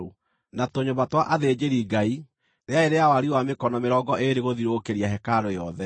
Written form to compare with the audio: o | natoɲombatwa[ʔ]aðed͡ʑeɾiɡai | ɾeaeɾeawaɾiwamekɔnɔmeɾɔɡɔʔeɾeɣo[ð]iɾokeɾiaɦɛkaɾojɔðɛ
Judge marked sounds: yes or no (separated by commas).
yes, yes